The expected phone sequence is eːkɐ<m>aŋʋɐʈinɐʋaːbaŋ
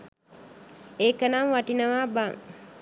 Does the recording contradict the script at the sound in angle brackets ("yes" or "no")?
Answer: yes